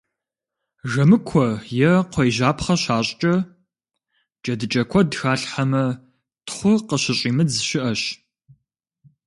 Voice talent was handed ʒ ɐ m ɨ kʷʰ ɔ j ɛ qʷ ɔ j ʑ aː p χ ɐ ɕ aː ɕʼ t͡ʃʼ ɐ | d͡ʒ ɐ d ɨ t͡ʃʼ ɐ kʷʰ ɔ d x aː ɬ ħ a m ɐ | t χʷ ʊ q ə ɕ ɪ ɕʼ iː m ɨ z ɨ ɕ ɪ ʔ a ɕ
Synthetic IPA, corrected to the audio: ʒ ɐ m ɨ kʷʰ ɔ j ɛ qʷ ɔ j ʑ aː p χ ɐ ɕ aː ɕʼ t͡ʃʼ ɐ | d͡ʒ ɐ d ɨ t͡ʃʼ ɐ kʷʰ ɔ d x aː ɬ ħ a m ɐ | t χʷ ʊ q ə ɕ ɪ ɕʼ iː m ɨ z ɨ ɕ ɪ ʔ ɐ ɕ